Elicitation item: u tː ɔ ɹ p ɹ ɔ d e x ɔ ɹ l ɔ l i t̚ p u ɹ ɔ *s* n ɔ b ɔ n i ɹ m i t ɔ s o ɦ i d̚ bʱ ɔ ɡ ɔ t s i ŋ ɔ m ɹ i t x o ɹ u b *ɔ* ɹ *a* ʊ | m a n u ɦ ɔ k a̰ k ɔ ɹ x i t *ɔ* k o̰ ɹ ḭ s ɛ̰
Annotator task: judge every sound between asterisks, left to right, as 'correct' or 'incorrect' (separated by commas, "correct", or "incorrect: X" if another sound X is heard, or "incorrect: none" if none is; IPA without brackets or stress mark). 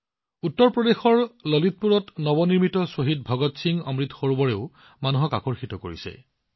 incorrect: t, correct, incorrect: e, correct